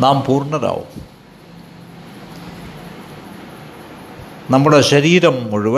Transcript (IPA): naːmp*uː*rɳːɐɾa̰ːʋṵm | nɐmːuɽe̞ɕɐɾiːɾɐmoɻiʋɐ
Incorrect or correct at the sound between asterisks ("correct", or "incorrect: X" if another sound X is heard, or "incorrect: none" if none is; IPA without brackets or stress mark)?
correct